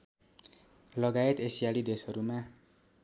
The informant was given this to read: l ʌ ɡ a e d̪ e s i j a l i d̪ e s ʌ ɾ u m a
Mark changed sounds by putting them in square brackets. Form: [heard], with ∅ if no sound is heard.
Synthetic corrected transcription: l ʌ ɡ a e [t̪] e s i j a l i d̪ e s ʌ ɾ u m a